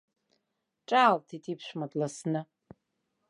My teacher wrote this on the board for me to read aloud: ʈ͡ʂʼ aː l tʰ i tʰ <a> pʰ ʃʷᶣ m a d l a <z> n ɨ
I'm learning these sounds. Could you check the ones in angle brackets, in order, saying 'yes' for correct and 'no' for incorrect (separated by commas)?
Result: no, no